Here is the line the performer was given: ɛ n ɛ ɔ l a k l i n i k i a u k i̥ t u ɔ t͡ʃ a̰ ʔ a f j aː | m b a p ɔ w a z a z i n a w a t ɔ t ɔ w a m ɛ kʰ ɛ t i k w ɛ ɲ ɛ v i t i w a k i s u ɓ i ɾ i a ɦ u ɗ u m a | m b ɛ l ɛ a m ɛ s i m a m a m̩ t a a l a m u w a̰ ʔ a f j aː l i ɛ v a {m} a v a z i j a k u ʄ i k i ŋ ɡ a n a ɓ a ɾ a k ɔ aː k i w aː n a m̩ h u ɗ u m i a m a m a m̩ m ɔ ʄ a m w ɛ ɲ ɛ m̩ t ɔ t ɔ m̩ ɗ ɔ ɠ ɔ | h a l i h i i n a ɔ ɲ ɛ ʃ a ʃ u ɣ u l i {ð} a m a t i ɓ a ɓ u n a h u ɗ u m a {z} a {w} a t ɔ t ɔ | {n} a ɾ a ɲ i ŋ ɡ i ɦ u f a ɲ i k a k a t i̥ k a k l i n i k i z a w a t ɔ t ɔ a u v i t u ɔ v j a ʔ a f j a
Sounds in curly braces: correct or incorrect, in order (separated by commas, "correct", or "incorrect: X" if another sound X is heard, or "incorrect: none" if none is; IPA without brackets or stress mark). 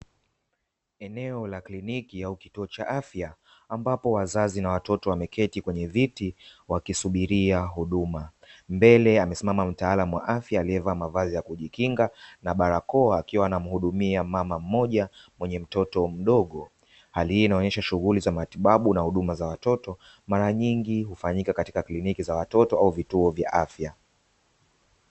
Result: correct, incorrect: z, correct, correct, incorrect: m